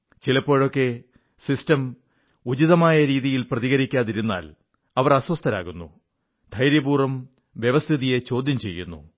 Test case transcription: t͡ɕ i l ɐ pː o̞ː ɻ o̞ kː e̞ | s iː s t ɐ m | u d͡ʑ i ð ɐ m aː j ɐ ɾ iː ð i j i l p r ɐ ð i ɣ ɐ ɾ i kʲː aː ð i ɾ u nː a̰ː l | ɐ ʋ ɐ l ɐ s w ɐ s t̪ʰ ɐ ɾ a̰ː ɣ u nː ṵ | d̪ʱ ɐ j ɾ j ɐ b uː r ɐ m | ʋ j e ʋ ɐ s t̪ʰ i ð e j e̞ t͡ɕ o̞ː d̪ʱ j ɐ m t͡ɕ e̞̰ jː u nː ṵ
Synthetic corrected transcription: t͡ɕ i l ɐ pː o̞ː ɻ o̞ kː e̞ | s i s t ɐ m | u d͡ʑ i ð ɐ m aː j ɐ ɾ iː ð i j i l p r ɐ ð i ɣ ɐ ɾ i kʲː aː ð i ɾ u nː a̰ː l | ɐ ʋ ɐ r ɐ s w ɐ s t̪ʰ ɐ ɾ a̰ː ɣ u nː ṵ | d̪ʱ ɐ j ɾ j ɐ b uː r ɐ m | ʋ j e ʋ ɐ s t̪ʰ i ð i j e̞ t͡ɕ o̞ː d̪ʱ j ɐ m t͡ɕ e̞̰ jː u nː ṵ

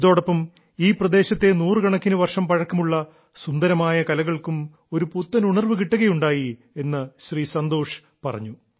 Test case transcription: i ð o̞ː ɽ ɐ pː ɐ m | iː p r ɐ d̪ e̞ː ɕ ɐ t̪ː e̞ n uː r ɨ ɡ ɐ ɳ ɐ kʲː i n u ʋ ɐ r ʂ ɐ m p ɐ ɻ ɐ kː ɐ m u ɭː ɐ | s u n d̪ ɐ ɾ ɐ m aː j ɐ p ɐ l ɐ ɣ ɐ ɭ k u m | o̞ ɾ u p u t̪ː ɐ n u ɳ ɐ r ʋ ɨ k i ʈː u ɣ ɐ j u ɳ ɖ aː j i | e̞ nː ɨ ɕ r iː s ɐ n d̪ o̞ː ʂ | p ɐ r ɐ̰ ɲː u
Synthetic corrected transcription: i ð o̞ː ɽ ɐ pː ɐ m | iː p r ɐ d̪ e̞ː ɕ ɐ t̪ː e̞ n uː r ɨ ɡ ɐ ɳ ɐ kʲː i n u ʋ ɐ r ʂ ɐ m p ɐ ɻ ɐ kː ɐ m u ɭː ɐ | s u n d̪ ɐ ɾ ɐ m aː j ɐ k ɐ l ɐ ɣ ɐ ɭ k u m | o̞ ɾ u p u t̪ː ɐ n u ɳ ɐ r ʋ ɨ k i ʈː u ɣ ɐ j u ɳ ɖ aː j i | e̞ nː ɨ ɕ r iː s ɐ n d̪ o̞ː ʂ | p ɐ r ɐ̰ ɲː u

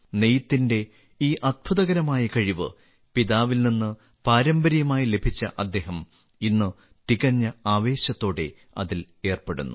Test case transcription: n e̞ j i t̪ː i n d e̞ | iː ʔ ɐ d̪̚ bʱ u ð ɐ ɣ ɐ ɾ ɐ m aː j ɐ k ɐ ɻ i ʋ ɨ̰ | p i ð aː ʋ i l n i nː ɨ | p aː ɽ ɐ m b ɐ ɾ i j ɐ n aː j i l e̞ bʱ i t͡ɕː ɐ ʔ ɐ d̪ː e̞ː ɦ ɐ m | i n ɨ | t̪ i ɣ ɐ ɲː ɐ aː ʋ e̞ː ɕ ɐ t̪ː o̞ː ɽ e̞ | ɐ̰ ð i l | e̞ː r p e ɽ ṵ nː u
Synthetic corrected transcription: n e̞ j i t̪ː i n d e̞ | iː ʔ ɐ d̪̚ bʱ u ð ɐ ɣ ɐ ɾ ɐ m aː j ɐ k ɐ ɻ i ʋ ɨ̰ | p i ð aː ʋ i l n i nː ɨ | p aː ɾ ɐ m b ɐ ɾ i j ɐ m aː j i l e̞ bʱ i t͡ɕː ɐ ʔ ɐ d̪ː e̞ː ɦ ɐ m | i nː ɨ | t̪ i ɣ ɐ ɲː ɐ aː ʋ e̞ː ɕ ɐ t̪ː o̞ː ɽ e̞ | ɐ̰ ð i l | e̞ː r p e ɽ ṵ nː u

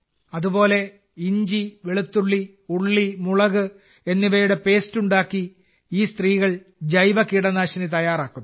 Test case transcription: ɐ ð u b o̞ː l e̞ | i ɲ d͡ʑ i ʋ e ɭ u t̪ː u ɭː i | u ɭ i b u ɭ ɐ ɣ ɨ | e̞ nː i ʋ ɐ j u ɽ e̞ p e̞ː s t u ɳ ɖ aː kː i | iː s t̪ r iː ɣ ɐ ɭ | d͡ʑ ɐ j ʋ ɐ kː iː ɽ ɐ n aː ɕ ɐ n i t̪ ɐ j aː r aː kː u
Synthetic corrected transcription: ɐ ð u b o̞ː l e̞ | i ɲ d͡ʑ i ʋ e ɭ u t̪ː u ɭː i | u ɭː i m u ɭ ɐ ɣ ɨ | e̞ nː i ʋ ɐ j u ɽ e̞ p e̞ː s t u ɳ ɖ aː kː i | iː s t̪ r iː ɣ ɐ ɭ | d͡ʑ ɐ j ʋ ɐ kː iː ɽ ɐ n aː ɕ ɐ n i t̪ ɐ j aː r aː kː u

